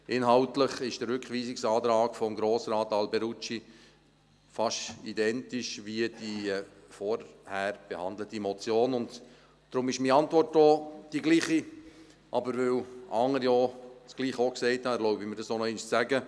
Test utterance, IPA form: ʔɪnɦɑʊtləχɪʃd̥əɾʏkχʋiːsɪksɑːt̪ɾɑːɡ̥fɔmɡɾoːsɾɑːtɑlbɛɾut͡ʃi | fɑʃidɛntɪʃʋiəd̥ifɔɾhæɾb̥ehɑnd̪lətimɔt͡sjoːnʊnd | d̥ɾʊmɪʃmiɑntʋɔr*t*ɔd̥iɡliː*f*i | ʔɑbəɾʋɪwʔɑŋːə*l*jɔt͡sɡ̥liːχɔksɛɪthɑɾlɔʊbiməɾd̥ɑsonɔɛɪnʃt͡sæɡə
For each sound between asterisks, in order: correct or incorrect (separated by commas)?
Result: correct, incorrect, incorrect